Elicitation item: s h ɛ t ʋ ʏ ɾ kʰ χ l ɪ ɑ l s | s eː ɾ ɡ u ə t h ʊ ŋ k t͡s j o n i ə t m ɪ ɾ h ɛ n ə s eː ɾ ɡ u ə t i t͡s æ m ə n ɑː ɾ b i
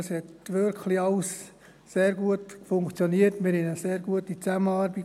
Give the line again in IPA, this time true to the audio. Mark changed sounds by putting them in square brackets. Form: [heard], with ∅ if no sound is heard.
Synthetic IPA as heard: s h ɛ t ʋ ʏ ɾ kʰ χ l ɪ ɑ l s | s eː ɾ ɡ u ə t [f] ʊ ŋ k t͡s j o n i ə t m ɪ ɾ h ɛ n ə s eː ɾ ɡ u ə t i t͡s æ m ə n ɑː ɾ b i